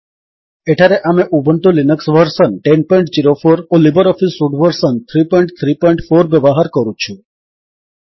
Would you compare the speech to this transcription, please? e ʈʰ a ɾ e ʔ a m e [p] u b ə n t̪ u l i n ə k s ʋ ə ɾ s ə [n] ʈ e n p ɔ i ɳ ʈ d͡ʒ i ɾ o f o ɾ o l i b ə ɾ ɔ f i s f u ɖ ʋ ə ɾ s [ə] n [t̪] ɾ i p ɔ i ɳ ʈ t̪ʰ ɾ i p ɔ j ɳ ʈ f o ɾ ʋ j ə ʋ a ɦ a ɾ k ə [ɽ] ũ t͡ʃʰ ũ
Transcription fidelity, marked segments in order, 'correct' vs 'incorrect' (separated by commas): incorrect, correct, correct, incorrect, incorrect